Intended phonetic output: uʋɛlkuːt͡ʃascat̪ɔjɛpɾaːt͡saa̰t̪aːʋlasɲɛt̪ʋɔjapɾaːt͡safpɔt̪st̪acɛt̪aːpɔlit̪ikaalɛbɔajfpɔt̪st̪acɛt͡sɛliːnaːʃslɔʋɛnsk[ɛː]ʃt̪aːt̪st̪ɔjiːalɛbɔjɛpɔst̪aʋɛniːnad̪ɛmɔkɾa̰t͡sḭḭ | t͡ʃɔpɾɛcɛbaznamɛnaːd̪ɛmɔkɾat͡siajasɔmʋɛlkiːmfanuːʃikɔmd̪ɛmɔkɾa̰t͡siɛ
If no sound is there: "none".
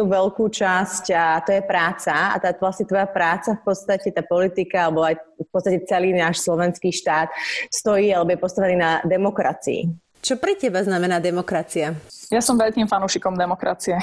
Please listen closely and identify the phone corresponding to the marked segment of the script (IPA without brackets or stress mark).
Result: iː